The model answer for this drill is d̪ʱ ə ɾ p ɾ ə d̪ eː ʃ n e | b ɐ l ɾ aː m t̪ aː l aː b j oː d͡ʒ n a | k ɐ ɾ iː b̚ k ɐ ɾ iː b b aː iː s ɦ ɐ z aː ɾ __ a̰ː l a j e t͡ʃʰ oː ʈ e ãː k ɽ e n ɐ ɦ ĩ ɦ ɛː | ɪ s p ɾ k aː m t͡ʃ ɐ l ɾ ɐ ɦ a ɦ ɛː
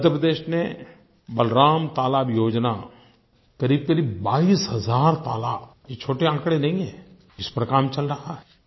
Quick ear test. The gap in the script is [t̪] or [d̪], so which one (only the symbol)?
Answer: t̪